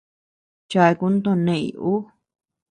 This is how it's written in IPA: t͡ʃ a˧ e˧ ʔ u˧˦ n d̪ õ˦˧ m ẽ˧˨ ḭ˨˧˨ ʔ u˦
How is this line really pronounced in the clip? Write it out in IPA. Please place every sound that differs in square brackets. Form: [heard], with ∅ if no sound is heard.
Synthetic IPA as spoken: t͡ʃ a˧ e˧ [k] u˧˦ n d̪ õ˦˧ [n] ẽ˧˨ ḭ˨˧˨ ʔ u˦